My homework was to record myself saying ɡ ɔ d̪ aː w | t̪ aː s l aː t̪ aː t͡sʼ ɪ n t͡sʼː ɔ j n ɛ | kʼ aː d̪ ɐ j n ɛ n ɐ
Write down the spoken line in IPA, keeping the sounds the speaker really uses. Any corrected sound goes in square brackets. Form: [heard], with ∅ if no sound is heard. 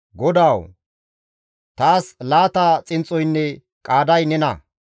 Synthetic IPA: ɡ ɔ d̪ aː w | t̪ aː s l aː t̪ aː t͡sʼ ɪ n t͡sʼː ɔ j [nː] ɛ | kʼ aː d̪ ɐ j n ɛ n ɐ